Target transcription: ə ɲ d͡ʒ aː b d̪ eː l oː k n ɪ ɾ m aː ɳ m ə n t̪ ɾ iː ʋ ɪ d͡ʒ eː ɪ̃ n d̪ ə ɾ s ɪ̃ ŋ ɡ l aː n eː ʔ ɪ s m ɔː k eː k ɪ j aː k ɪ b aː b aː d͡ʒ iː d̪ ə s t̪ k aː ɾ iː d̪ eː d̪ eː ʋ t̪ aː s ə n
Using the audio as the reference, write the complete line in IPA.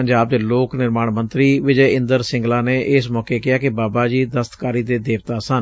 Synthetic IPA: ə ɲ d͡ʒ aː b d̪ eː l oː k n ɪ ɾ m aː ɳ m ə n t̪ ɾ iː ʋ ɪ d͡ʒ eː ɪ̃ n d̪ ə ɾ s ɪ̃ ŋ ɡ l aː n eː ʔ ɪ s m ɔː k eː k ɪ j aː k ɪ b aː b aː d͡ʒ iː d̪ ə s t̪ k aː ɾ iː d̪ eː d̪ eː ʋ t̪ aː s ə n